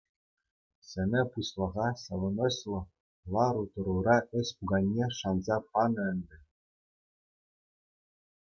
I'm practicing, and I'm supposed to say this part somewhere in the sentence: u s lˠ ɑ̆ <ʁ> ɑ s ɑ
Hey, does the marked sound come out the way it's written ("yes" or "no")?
yes